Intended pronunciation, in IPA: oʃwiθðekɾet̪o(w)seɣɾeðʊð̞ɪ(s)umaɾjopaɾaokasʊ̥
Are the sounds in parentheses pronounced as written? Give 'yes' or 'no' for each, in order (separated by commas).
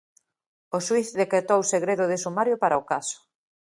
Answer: yes, yes